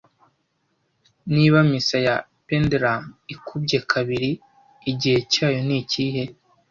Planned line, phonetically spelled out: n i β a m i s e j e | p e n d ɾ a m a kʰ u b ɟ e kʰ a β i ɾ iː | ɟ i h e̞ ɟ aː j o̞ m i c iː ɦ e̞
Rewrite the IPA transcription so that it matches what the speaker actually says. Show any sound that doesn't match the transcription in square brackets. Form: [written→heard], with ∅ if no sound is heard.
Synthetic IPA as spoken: n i β a m i s [e→a] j [e→a] | p e n d ɾ a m [a→i] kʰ u b ɟ e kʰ a β i ɾ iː | ɟ i h e̞ [ɟ→c] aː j o̞ [m→n] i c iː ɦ e̞